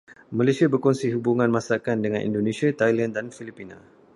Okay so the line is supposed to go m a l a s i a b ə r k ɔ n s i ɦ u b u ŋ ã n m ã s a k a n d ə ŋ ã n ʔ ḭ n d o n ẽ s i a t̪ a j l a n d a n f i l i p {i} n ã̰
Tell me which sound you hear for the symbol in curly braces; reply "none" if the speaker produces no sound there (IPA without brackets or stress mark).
i